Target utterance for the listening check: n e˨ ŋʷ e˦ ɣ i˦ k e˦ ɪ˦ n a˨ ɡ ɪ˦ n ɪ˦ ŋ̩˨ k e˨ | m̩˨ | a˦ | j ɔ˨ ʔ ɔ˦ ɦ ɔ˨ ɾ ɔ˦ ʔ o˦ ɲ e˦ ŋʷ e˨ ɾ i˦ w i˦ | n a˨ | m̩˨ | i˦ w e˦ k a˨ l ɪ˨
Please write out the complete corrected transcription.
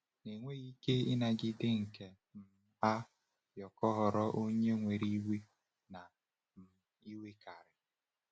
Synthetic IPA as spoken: n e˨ ŋʷ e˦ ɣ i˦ k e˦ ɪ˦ n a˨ ɡ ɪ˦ d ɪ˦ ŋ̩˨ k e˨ | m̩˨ | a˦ | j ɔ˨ k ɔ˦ ɦ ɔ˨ ɾ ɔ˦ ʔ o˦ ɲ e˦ ŋʷ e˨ ɾ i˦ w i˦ | n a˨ | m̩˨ | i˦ w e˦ k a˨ ɾ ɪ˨

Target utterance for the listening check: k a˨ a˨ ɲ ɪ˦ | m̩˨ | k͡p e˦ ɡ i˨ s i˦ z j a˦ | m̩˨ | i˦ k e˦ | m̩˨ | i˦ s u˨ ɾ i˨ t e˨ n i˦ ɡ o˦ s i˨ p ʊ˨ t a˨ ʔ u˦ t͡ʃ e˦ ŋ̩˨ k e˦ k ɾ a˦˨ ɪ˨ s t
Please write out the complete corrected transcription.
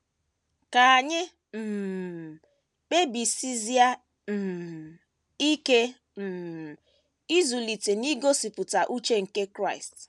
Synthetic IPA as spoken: k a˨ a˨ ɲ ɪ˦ | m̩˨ | k͡p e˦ b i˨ s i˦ z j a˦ | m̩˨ | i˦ k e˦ | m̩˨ | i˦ z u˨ l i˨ t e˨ n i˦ ɡ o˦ s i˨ p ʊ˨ t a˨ ʔ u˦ t͡ʃ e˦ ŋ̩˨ k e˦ k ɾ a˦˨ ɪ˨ s t

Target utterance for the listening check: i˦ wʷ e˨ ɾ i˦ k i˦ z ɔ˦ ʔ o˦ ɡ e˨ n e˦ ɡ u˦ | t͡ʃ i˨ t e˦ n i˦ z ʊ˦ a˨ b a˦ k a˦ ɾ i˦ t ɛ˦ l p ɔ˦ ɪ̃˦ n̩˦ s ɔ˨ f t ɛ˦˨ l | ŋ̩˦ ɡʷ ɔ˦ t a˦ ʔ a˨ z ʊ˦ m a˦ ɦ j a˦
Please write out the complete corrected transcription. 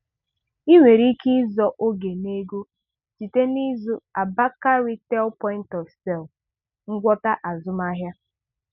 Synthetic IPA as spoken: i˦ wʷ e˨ ɾ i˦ k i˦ z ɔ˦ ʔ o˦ ɡ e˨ n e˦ ɡ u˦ | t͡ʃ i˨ t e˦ n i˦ z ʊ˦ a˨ b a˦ k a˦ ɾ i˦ t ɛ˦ l p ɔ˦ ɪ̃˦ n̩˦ t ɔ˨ f s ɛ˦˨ l | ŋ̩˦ ɡʷ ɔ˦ t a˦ ʔ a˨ z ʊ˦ m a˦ ɦ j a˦

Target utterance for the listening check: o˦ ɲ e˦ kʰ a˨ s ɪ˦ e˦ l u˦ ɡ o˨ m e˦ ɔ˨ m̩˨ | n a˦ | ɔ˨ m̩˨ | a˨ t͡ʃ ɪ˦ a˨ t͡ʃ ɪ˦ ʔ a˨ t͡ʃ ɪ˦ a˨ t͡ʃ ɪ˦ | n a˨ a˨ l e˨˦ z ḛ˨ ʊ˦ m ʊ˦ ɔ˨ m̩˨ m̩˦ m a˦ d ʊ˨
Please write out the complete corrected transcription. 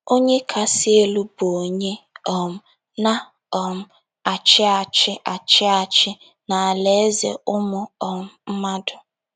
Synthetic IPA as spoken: o˦ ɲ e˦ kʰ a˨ s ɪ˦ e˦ l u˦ b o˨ ɲ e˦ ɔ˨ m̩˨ | n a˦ | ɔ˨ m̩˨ | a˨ t͡ʃ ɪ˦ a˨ t͡ʃ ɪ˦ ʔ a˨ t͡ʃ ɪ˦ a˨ t͡ʃ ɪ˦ | n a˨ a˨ l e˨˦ z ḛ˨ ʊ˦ m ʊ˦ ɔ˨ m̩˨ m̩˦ m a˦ d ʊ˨

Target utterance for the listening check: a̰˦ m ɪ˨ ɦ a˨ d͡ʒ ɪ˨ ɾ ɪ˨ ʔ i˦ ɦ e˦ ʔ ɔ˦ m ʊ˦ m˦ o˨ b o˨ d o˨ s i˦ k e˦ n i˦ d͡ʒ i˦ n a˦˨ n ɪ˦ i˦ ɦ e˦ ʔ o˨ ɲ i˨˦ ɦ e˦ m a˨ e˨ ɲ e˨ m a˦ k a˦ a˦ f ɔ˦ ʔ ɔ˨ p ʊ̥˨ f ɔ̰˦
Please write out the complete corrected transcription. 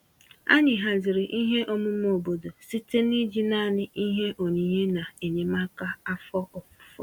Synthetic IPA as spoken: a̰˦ ɲ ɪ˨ ɦ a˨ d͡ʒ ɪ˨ ɾ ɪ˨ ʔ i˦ ɦ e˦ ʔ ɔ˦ m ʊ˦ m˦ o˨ b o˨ d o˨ s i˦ t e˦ n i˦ d͡ʒ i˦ n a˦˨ n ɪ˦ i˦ ɦ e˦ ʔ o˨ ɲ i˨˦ ɦ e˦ n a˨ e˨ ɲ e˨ m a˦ k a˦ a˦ f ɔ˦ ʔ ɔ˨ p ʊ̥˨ f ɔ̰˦

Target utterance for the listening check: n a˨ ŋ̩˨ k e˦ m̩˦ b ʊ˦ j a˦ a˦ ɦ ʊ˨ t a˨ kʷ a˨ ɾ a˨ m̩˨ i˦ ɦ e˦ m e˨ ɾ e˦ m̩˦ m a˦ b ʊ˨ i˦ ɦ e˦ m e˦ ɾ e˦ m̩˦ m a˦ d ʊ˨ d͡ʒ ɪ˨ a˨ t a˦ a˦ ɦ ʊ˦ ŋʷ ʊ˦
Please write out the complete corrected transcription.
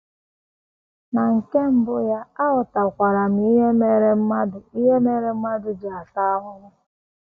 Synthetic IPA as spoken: n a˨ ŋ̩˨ k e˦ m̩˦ b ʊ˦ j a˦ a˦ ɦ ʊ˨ t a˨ kʷ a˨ ɾ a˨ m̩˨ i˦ ɦ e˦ m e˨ ɾ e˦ m̩˦ m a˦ d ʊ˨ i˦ ɦ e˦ m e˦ ɾ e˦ m̩˦ m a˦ d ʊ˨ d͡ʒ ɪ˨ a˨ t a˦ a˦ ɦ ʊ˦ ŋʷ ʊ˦

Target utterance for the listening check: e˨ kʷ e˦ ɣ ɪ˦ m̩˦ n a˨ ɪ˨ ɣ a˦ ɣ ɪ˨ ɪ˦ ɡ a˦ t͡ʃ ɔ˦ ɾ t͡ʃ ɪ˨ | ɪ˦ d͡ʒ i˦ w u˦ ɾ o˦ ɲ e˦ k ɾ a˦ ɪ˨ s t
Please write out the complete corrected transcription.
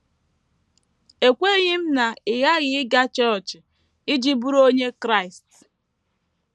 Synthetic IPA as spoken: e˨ kʷ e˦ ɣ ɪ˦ m̩˦ n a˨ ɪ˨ ɣ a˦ ɣ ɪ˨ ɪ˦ ɡ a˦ t͡ʃ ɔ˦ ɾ t͡ʃ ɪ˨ | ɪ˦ d͡ʒ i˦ b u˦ ɾ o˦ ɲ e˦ k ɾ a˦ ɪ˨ s t

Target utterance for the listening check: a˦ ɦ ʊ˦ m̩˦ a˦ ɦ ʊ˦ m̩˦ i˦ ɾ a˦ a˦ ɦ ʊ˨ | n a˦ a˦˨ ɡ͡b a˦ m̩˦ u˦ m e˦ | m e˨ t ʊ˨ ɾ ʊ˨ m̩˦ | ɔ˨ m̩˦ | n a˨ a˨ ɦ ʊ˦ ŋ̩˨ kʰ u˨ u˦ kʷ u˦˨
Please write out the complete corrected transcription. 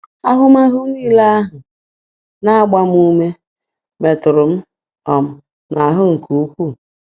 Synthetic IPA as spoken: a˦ ɦ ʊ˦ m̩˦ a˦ ɦ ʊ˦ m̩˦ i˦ l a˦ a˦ ɦ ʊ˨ | n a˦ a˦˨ ɡ͡b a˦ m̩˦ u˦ m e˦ | m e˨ t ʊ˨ ɾ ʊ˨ m̩˦ | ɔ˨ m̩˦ | n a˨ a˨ ɦ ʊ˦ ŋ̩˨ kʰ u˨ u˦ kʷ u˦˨

